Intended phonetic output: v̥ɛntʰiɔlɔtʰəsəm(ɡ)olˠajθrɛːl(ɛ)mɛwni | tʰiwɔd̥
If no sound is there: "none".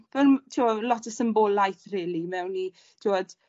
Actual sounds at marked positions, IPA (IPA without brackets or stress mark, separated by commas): b, i